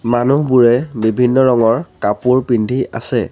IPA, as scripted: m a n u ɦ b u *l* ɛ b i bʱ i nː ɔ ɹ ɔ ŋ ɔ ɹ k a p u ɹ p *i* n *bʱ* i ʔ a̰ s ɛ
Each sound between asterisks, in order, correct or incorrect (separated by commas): incorrect, correct, incorrect